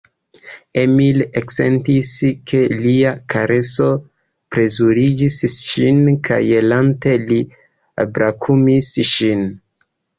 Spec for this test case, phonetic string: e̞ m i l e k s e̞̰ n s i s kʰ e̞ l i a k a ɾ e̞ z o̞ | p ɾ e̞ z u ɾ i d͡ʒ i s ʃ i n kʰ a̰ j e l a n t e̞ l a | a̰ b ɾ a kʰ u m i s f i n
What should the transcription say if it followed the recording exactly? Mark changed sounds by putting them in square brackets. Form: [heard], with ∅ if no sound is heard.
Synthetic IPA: e̞ m i l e k s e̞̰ n [t] i s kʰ e̞ l i a k a ɾ e̞ [s] o̞ | p ɾ e̞ z u ɾ i d͡ʒ i s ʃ i n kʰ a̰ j e l a n t e̞ l [i] | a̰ b ɾ a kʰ u m i s [ʃ] i n

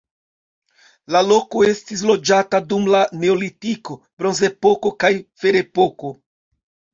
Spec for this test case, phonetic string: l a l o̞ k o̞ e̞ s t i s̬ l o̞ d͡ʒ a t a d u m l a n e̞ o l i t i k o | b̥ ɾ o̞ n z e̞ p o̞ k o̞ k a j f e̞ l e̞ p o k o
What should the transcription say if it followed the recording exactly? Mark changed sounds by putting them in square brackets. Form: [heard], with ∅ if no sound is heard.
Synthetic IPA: l a l o̞ k o̞ e̞ s t i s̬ l o̞ d͡ʒ a t a d u m l a n e̞ o l i t i k o | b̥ ɾ o̞ n z e̞ p o̞ k o̞ k a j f e̞ [ɾ] e̞ p o k o

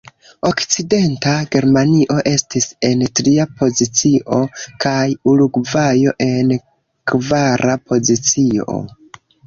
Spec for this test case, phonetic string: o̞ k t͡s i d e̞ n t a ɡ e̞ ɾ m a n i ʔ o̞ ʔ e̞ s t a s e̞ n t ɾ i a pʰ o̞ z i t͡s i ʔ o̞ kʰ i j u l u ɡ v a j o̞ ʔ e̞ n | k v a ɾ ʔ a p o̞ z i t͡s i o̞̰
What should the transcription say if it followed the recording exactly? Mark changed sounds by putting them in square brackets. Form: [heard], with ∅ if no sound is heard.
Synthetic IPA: o̞ k t͡s i d e̞ n t a ɡ e̞ ɾ m a n i ʔ o̞ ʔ e̞ s t [i] s e̞ n t ɾ i a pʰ o̞ z i t͡s i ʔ o̞ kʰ [a] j u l u ɡ v a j o̞ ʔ e̞ n | k v a ɾ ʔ a p o̞ z i t͡s i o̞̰

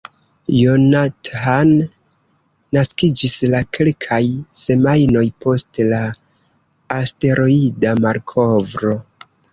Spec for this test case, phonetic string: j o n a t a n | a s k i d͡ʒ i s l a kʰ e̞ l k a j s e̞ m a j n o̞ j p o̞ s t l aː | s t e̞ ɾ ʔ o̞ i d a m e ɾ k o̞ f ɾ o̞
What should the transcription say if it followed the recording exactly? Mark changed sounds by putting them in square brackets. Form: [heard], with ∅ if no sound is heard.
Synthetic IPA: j o n a t a n | a s k i d͡ʒ i s l a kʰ e̞ l [kʰ] a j s e̞ m a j n o̞ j p o̞ s t l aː | s t e̞ ɾ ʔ o̞ i d a m [a] ɾ [kʰ] o̞ [v] ɾ o̞

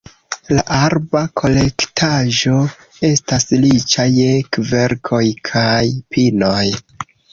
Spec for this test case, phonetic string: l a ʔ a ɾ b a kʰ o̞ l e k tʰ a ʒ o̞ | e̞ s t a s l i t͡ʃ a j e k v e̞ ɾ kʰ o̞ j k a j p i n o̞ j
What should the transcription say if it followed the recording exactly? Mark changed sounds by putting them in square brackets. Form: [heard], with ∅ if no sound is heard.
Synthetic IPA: l a ʔ a ɾ b a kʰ o̞ l e k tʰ a ʒ o̞ | e̞ s t a s l i t͡ʃ a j e k v e̞ ɾ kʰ o̞ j [kʰ] a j p i n o̞ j

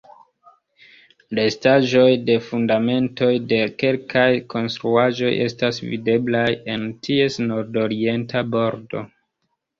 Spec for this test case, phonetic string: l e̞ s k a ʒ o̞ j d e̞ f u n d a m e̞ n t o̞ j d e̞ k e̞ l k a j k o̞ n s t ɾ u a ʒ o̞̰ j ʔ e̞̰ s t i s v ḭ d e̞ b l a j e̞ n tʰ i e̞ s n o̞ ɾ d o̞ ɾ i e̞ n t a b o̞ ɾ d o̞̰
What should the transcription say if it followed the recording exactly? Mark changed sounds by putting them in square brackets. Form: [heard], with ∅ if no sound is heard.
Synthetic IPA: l e̞ s [t] a ʒ o̞ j d e̞ f u n d a m e̞ n t o̞ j d e̞ k e̞ l k a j k o̞ n s t ɾ u a ʒ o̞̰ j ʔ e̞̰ s t [a] s v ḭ d e̞ b l a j e̞ n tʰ i e̞ s n o̞ ɾ d o̞ ɾ i e̞ n t a b o̞ ɾ d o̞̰

